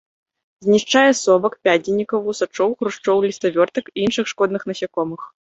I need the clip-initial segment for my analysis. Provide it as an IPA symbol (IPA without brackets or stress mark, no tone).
zʲ